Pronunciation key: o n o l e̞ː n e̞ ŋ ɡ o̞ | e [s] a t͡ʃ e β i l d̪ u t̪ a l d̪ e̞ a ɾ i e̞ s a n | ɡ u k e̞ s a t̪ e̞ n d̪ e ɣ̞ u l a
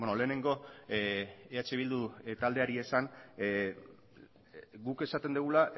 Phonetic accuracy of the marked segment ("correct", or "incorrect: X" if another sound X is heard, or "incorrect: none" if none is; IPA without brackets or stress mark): incorrect: none